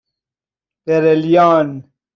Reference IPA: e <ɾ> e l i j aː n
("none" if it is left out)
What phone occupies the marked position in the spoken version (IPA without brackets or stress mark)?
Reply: ɾ